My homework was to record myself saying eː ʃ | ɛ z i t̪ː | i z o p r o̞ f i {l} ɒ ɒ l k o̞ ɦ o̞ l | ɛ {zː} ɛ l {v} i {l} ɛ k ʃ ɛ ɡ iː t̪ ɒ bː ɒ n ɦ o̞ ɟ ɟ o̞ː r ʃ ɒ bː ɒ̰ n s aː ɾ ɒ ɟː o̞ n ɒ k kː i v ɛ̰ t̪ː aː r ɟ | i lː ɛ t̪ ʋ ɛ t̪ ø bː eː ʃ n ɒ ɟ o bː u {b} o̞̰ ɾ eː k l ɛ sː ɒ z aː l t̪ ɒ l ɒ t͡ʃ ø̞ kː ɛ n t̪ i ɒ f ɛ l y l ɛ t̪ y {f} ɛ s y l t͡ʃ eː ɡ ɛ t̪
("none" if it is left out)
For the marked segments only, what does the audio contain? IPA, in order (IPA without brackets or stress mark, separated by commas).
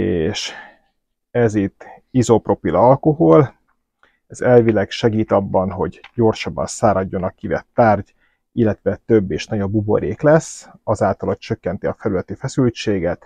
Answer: l, z, v, l, b, f